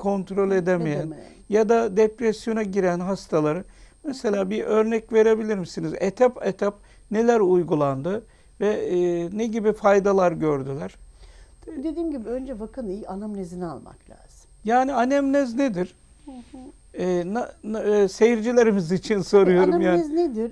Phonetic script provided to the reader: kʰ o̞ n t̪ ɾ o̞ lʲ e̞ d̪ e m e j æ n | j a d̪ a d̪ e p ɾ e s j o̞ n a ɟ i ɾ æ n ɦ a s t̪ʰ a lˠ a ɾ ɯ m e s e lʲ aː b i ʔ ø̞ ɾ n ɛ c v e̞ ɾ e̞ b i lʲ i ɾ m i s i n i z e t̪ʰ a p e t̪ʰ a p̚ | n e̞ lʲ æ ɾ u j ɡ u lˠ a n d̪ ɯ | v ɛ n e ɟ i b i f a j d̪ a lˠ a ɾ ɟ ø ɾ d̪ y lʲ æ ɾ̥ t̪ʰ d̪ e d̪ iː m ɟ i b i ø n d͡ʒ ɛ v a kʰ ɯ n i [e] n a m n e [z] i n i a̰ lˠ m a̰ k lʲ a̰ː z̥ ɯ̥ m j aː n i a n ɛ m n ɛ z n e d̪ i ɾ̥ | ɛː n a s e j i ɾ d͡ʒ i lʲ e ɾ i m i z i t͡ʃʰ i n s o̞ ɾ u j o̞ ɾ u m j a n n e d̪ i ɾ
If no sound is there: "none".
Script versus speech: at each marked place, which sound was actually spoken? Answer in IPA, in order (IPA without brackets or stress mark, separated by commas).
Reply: a, z